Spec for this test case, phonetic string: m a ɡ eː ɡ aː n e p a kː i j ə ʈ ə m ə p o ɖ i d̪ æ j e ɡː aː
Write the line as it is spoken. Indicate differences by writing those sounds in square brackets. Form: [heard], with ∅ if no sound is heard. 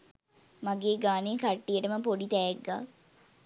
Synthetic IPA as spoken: m a ɡ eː ɡ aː n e [k] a [ʈː] i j ə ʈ ə m ə p o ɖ i [t̪] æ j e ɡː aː